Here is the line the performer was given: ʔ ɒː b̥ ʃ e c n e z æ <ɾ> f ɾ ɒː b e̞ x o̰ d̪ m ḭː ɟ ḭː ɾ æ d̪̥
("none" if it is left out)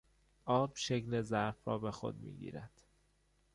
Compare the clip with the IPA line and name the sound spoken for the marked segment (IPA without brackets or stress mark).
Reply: ɾ